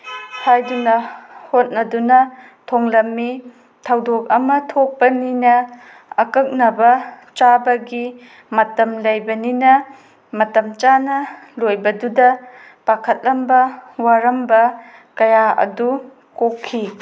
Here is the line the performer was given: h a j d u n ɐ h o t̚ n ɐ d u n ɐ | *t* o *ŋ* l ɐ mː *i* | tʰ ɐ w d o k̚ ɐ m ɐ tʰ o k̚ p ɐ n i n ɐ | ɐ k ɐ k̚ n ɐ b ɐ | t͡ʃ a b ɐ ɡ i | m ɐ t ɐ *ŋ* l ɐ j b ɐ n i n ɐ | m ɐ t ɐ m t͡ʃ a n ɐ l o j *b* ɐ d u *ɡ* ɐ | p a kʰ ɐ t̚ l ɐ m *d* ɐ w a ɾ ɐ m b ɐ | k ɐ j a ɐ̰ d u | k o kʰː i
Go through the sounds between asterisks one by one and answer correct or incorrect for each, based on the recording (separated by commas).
incorrect, correct, correct, incorrect, correct, incorrect, incorrect